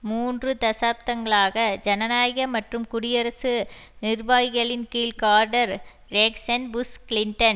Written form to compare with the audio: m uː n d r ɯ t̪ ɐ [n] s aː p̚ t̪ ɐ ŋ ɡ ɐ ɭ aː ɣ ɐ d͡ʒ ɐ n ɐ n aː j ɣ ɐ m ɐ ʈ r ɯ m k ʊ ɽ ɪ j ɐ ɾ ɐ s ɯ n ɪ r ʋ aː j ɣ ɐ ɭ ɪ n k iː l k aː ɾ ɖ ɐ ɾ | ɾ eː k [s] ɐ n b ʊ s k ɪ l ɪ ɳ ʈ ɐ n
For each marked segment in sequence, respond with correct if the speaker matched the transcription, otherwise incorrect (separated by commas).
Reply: incorrect, correct